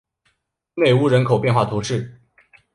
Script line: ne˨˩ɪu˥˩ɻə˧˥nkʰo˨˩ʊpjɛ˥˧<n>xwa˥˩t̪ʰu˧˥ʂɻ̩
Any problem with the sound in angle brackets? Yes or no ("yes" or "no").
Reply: no